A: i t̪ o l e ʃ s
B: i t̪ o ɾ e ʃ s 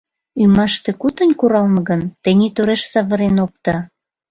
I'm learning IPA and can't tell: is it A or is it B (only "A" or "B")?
B